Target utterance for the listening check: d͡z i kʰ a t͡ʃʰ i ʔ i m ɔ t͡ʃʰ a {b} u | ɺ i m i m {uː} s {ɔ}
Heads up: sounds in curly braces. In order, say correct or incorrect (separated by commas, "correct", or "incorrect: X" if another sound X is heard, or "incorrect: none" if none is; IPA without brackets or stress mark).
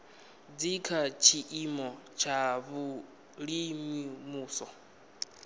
incorrect: β, correct, correct